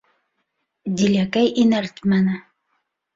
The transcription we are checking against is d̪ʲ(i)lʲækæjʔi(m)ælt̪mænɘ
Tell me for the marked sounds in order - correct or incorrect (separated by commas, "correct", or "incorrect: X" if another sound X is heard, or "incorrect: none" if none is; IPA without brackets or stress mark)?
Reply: correct, incorrect: n